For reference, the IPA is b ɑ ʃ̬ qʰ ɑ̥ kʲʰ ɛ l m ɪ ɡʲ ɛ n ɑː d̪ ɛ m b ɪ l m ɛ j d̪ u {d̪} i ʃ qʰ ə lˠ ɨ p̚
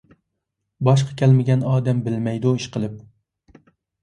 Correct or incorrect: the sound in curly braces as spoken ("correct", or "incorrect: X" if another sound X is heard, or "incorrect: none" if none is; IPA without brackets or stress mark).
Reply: incorrect: none